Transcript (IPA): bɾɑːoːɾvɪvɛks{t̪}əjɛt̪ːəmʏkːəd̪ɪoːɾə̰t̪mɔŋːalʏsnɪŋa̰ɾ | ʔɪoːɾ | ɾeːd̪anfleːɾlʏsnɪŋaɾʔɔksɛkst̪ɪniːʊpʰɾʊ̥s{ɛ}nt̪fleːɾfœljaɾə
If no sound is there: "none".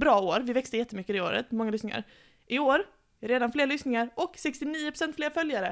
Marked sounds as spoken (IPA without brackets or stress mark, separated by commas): t̪, ɛ